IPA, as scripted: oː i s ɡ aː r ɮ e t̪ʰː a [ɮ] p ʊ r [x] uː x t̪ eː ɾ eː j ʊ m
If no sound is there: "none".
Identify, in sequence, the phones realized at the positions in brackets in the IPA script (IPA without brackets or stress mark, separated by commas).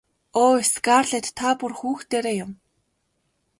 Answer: none, x